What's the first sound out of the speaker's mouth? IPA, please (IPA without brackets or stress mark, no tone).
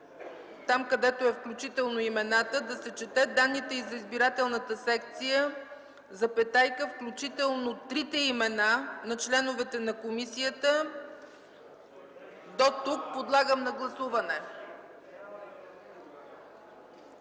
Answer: t̪